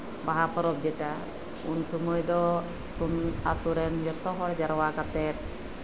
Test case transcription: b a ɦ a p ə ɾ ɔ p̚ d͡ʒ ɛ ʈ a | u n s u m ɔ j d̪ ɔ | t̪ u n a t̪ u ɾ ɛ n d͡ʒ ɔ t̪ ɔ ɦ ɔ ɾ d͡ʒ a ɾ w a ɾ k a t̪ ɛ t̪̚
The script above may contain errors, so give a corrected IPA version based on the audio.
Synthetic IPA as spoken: b a ɦ a p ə ɾ ɔ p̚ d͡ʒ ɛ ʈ a | u n s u m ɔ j d̪ ɔ | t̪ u n a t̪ u ɾ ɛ n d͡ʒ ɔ t̪ ɔ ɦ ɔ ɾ d͡ʒ a ɾ w a k a t̪ ɛ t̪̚